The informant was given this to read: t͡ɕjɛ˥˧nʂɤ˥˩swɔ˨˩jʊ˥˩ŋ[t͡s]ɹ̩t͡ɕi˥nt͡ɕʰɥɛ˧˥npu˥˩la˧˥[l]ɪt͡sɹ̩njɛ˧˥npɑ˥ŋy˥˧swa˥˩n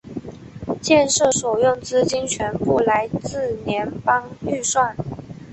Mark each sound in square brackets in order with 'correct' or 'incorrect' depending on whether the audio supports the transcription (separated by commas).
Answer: correct, incorrect